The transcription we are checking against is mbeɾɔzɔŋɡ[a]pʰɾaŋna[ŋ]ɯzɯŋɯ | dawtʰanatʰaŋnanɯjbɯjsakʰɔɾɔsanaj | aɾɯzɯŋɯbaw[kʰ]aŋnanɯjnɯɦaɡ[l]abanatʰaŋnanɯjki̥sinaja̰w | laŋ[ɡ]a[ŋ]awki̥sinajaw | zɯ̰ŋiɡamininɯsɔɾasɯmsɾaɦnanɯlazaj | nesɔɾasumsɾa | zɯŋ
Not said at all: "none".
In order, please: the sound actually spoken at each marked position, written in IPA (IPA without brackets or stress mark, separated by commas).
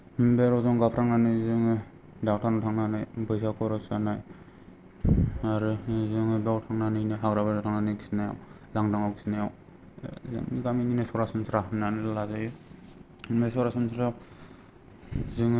a, n, tʰ, ɾ, d, ŋ